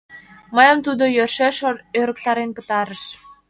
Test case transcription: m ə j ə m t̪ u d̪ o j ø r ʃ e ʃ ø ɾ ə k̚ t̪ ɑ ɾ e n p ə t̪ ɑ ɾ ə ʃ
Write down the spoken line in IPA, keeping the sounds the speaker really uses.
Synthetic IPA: m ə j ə m t̪ u d̪ o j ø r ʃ e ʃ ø ɾ ə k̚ t̪ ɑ ɾ e n p ə t̪ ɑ ɾ ə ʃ